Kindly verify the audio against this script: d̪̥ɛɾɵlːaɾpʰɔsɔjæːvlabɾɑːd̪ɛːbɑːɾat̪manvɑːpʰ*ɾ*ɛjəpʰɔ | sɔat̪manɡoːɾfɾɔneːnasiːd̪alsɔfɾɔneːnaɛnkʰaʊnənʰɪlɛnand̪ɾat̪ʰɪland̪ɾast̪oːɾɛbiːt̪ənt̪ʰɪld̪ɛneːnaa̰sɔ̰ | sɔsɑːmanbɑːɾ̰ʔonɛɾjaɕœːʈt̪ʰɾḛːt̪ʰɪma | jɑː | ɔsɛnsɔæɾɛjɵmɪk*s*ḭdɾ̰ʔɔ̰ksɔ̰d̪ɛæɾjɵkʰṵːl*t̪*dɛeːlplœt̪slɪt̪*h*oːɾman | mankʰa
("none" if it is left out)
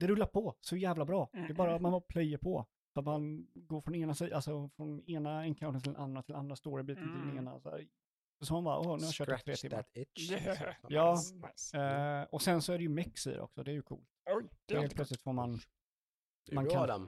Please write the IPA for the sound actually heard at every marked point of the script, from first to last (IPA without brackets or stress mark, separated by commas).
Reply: l, s, t̪, f